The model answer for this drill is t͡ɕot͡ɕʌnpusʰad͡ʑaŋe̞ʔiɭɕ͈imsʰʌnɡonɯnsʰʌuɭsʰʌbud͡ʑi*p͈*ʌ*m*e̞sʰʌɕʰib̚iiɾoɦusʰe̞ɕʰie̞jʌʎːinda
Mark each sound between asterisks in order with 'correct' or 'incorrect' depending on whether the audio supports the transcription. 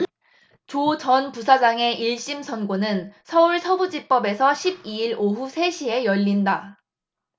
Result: correct, incorrect: b

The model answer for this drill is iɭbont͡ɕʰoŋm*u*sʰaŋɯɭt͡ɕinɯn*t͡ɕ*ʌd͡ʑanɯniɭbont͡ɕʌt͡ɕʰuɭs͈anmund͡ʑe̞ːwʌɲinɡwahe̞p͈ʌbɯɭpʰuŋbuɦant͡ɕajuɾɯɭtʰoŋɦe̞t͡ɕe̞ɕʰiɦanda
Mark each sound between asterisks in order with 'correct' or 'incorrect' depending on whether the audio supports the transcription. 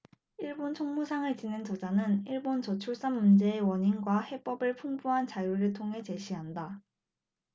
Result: correct, correct

